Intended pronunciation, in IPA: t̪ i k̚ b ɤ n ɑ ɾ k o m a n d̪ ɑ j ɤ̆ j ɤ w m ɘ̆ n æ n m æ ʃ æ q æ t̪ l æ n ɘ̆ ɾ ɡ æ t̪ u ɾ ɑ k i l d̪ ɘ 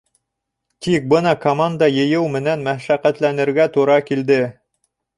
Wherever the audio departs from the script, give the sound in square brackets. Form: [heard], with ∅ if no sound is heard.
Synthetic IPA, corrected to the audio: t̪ i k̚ b ɤ n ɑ [∅] k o m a n d̪ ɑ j ɤ̆ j ɤ w m ɘ̆ n æ n m æ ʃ æ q æ t̪ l æ n ɘ̆ ɾ ɡ æ t̪ u ɾ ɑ k i l d̪ ɘ